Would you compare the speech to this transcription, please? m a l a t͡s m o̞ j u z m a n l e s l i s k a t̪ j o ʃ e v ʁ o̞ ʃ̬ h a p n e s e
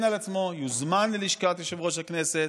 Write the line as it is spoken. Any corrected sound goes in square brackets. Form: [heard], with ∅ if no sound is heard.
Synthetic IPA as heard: [n] a l a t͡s m o̞ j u z m a n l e [∅] l i [ʃ] k a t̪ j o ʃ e v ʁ o̞ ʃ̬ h a [k] n e s e